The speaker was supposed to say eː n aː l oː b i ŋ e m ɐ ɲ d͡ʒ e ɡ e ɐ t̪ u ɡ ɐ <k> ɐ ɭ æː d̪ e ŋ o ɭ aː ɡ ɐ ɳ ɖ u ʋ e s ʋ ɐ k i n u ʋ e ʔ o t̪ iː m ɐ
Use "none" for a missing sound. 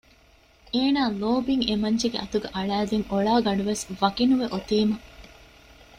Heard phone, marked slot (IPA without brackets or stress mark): ʔ